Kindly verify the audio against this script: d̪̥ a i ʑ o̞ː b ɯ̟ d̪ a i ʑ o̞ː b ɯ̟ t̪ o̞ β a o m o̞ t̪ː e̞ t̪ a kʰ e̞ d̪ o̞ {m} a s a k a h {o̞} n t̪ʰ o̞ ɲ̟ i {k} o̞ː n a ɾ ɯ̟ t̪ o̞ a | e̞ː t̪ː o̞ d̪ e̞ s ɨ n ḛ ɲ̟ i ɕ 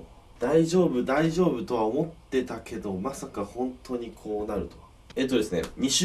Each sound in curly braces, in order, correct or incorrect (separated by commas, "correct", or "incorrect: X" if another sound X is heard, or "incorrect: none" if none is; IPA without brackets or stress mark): correct, incorrect: õ̞, incorrect: kʰ